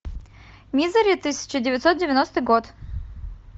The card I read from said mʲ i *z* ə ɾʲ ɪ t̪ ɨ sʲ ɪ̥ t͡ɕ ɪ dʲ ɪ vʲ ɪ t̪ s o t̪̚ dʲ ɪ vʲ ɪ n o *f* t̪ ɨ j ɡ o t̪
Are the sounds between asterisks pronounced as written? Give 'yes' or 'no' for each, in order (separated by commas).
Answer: yes, no